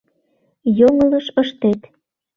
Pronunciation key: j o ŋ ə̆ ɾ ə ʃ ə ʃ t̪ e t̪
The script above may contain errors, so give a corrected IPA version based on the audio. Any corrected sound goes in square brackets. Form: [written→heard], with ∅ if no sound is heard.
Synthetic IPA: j o ŋ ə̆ [ɾ→l] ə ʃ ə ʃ t̪ e t̪